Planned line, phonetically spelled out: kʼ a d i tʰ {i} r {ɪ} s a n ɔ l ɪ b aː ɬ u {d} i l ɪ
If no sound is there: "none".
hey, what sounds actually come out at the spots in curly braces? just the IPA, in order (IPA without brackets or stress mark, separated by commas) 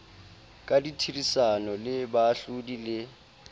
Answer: i, i, d